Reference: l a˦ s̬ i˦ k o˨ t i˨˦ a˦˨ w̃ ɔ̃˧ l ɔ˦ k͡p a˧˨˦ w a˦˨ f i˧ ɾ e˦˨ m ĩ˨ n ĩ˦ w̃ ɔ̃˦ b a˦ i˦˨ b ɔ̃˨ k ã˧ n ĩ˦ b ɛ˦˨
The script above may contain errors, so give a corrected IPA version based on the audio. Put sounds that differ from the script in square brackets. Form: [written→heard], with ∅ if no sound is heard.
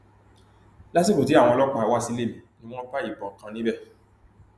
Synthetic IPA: l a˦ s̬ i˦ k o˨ t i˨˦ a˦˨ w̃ ɔ̃˧ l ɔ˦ k͡p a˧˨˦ w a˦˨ [f→s] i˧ [ɾ→l] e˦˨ m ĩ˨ n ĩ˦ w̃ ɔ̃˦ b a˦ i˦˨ b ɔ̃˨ k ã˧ n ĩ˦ b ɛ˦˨